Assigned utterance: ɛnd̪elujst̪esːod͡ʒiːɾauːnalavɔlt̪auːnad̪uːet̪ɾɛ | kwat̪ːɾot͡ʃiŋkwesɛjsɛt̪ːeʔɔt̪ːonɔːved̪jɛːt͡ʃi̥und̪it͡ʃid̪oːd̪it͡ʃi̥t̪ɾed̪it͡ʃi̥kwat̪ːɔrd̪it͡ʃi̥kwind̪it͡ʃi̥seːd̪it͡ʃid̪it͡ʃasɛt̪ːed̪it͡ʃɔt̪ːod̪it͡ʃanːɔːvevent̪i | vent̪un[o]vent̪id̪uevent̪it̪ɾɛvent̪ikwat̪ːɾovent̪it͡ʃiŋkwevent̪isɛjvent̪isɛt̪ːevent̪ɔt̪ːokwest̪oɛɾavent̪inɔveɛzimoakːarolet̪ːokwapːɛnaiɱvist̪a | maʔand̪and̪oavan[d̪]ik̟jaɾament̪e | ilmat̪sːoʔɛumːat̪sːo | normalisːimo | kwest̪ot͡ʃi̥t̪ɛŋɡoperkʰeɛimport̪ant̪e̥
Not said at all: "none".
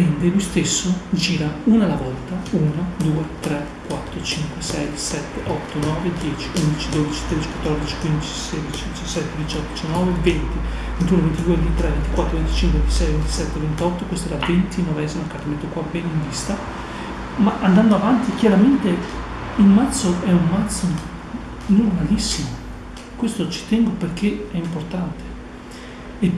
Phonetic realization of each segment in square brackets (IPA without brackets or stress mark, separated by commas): o, t̪